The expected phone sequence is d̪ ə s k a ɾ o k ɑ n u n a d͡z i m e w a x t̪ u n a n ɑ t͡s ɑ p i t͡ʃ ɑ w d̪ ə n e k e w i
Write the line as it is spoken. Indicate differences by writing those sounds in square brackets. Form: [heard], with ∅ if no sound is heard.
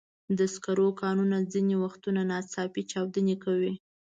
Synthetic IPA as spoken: d̪ ə s k a ɾ o k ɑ n u n a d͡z i [n] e w a x t̪ u n a n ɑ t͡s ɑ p i t͡ʃ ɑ w d̪ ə n e k [a] w i